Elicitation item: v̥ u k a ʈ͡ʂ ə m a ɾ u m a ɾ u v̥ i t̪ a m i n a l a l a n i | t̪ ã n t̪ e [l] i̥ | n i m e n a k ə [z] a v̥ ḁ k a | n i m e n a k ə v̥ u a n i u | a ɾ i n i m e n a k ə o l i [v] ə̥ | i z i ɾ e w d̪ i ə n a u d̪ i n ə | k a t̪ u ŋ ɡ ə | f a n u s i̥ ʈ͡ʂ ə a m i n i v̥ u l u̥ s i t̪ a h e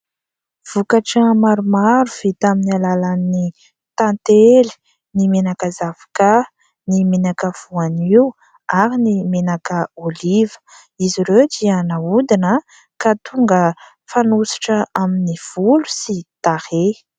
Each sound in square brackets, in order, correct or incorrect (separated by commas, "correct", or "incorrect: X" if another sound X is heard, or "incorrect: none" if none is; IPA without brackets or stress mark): correct, correct, correct